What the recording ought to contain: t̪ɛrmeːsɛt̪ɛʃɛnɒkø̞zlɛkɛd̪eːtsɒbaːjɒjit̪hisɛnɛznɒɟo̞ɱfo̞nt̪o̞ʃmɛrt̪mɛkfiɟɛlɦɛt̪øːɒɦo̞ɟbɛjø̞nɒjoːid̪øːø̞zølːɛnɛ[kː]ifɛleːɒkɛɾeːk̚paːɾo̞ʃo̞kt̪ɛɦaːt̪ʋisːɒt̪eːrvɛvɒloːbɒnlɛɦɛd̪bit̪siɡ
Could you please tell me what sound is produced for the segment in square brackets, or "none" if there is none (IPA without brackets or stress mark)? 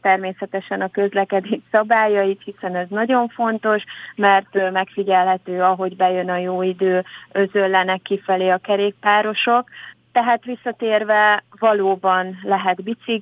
kː